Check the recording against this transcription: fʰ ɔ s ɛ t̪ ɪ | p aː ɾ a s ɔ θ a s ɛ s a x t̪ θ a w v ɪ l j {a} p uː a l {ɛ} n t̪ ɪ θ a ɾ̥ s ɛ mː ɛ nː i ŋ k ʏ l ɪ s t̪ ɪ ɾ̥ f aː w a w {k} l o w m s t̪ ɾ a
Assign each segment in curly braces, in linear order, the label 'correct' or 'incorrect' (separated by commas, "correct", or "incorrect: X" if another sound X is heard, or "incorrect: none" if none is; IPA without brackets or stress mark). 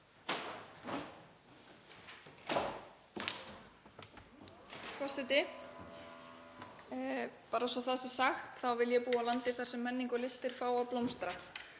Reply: incorrect: ɛ, incorrect: a, incorrect: p